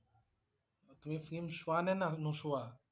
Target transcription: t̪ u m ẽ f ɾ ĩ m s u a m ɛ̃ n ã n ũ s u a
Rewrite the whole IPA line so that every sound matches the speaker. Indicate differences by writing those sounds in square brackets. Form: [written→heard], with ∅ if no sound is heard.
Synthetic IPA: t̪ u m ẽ f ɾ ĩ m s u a [m→n] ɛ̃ n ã n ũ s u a